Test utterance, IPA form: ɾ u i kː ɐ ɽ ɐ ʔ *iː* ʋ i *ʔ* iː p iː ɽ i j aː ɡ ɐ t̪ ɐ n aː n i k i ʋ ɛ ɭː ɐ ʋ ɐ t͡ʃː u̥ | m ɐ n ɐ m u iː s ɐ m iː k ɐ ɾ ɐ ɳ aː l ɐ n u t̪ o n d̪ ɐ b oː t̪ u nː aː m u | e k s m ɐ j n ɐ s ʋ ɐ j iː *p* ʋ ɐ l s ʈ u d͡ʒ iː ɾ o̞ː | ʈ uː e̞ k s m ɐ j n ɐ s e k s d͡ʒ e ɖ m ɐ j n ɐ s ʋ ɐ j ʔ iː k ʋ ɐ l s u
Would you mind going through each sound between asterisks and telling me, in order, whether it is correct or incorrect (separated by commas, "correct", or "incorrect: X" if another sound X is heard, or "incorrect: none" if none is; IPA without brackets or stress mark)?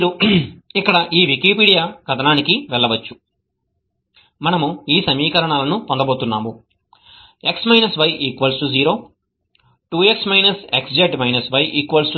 correct, incorrect: k, incorrect: k